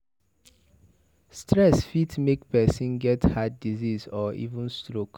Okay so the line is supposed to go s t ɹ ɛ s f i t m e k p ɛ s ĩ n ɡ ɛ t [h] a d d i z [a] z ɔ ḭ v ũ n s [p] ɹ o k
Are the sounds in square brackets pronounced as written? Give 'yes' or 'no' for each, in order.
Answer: yes, no, no

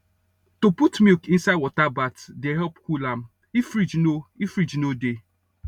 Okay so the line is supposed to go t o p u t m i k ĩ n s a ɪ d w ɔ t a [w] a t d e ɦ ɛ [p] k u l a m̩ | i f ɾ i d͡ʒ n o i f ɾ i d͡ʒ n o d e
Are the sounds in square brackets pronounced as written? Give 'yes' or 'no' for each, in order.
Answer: no, yes

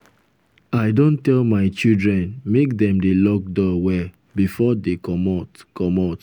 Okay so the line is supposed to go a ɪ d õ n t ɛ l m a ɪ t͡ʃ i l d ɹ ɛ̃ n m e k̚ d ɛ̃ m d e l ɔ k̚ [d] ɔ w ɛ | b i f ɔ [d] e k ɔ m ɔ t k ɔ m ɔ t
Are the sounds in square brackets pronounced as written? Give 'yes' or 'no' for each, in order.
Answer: yes, yes

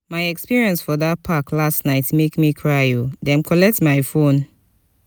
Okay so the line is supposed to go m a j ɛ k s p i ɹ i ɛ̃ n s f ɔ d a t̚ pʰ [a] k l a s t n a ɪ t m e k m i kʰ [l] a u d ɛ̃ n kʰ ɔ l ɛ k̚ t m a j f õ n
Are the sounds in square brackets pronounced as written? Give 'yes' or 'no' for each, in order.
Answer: yes, no

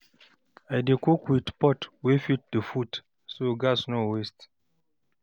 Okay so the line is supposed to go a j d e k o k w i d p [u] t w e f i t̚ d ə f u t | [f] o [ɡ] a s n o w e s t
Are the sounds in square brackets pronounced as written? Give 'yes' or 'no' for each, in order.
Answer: no, no, yes

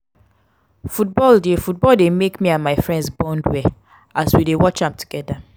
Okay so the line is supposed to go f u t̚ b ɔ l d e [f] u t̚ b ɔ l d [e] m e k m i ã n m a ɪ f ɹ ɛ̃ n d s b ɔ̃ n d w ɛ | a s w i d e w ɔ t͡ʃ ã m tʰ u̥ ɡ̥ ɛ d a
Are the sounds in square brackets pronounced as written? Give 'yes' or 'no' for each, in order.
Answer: yes, yes

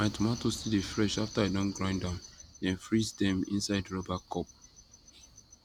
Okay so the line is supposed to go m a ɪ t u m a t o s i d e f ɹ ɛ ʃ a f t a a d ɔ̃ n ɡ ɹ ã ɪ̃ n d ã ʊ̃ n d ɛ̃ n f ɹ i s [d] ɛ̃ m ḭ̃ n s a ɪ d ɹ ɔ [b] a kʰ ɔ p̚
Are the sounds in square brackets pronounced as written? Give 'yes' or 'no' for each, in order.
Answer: yes, yes

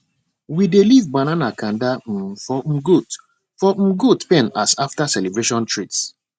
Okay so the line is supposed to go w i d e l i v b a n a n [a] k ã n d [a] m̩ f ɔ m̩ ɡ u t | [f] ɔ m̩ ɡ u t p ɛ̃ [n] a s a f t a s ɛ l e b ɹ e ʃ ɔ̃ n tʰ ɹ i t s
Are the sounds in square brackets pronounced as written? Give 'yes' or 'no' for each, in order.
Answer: yes, yes, yes, yes

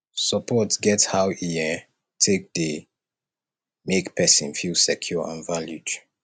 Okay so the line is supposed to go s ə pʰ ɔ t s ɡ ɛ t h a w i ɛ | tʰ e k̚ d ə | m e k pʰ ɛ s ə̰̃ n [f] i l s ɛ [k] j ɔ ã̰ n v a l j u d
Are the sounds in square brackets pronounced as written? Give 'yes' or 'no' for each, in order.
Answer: yes, no

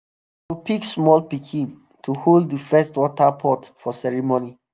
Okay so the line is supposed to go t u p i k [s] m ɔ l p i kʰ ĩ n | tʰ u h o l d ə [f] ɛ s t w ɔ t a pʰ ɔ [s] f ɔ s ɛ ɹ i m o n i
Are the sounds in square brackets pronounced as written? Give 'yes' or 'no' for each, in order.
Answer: yes, yes, no

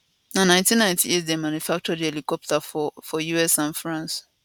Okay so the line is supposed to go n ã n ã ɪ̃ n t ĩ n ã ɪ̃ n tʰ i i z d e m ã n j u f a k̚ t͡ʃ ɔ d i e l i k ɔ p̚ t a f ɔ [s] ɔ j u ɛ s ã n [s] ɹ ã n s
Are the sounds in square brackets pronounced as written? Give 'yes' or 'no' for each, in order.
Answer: no, no

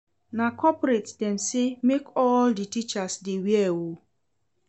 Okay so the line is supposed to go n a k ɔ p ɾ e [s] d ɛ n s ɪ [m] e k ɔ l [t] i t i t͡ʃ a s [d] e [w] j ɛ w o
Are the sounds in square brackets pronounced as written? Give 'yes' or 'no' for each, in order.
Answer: no, yes, no, yes, yes

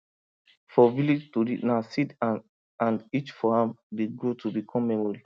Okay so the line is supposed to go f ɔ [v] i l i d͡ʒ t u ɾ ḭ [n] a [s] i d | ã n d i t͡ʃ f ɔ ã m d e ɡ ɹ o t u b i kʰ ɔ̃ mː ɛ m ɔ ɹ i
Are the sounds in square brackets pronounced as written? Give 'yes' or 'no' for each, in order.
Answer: yes, yes, yes

